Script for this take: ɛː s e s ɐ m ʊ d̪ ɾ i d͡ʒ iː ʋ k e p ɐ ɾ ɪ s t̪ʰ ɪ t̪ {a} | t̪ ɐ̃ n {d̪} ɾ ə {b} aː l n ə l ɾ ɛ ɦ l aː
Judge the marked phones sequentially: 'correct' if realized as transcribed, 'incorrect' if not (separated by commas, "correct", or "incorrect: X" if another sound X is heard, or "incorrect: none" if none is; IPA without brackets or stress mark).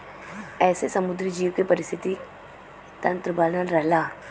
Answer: incorrect: i, incorrect: t̪, correct